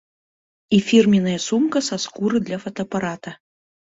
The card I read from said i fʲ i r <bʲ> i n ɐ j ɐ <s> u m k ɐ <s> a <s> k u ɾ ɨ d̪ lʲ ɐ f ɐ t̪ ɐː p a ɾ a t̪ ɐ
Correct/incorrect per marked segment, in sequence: incorrect, correct, correct, correct

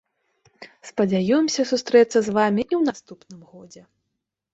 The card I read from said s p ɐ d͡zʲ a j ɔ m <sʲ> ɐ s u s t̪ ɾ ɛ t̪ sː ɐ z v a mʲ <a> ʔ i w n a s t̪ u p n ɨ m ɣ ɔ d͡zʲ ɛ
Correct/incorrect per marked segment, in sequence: correct, incorrect

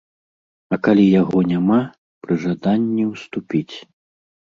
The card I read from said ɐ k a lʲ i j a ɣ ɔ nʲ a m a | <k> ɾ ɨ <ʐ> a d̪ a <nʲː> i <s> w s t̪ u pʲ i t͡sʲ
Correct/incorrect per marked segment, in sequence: incorrect, correct, correct, incorrect

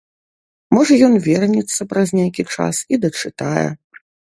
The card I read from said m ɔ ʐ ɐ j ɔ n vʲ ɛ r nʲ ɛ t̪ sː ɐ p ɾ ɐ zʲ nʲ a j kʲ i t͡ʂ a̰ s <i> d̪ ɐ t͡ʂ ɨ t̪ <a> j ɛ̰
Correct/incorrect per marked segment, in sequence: correct, correct

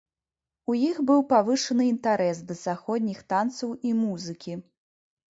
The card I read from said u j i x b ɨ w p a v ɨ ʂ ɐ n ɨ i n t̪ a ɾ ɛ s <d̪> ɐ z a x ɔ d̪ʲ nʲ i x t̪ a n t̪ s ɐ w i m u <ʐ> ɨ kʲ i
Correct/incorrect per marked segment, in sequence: correct, incorrect

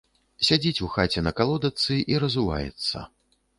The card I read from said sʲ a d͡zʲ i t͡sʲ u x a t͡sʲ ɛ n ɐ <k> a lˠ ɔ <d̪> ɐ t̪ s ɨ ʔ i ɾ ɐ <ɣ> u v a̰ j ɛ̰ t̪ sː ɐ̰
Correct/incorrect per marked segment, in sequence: correct, correct, incorrect

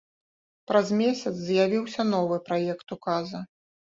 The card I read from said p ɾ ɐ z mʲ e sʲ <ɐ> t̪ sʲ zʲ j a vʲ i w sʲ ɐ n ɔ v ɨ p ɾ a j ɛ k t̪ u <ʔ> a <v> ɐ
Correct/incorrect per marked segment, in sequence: correct, incorrect, incorrect

